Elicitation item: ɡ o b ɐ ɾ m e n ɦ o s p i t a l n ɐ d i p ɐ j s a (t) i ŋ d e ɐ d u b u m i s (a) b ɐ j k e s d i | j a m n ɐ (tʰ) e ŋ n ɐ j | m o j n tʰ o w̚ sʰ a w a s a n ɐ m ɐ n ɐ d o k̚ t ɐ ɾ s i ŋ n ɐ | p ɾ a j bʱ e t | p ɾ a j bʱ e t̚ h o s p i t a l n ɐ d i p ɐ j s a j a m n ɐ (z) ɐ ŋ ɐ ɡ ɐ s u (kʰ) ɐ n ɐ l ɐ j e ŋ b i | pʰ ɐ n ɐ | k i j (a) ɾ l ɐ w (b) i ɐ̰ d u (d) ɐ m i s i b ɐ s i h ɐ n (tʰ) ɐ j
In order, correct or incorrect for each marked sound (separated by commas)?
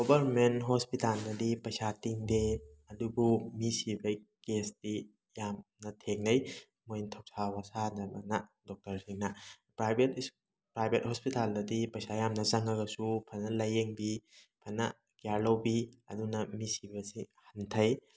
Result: correct, incorrect, correct, correct, incorrect, correct, correct, incorrect, correct